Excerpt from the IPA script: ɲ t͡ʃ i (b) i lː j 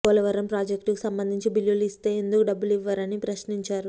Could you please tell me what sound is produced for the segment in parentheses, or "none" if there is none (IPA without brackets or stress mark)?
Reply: b